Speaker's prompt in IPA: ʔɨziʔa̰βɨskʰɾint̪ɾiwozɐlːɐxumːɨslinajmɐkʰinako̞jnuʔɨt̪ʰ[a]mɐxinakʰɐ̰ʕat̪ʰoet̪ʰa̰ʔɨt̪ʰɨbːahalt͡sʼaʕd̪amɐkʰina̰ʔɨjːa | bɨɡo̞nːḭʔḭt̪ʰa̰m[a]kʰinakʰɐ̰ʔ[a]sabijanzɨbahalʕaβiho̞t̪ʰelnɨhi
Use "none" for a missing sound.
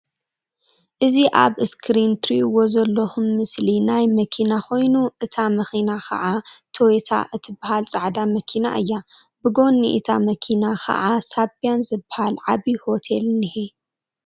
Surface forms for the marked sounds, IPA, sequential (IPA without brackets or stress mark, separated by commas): a, ɐ, a